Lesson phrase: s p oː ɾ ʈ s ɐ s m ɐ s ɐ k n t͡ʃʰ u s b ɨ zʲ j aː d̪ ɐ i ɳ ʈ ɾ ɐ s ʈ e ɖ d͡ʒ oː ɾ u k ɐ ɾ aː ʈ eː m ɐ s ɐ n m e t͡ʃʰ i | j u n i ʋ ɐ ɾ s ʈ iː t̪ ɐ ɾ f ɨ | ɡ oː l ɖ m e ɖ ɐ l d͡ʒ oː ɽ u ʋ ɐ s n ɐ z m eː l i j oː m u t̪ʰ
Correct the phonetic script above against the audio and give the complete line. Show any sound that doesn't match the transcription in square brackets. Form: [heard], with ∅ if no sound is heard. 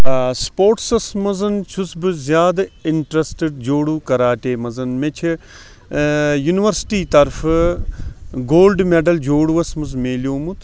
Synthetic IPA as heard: s p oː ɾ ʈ s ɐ s m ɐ [z] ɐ [∅] n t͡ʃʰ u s b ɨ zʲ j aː d̪ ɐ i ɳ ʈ ɾ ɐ s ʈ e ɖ d͡ʒ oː [ɽ] u k ɐ ɾ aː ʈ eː m ɐ [z] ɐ n m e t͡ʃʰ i | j u n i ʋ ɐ ɾ s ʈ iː t̪ ɐ ɾ f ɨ | ɡ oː l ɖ m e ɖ ɐ l d͡ʒ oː ɽ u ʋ ɐ s [m] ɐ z m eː l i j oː m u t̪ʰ